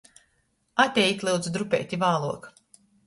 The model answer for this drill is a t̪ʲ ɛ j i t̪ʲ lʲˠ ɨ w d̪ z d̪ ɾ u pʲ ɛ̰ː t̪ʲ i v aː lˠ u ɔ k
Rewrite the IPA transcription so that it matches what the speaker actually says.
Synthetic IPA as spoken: a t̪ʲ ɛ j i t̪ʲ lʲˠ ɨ w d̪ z d̪ ɾ u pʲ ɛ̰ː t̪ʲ i v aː lˠ u ɔ k